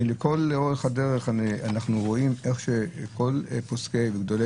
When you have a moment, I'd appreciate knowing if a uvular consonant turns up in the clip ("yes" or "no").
yes